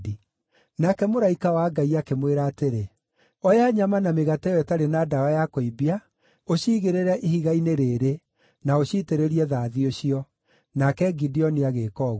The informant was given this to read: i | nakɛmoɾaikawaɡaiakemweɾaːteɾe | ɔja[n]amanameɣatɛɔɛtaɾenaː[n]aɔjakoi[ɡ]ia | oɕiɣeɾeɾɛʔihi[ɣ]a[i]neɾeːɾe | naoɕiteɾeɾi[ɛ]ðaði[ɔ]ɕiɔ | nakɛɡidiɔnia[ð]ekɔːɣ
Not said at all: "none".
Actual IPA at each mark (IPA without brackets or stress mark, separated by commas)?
ɲ, d, b, ɣ, i, ɛ, o, ɣ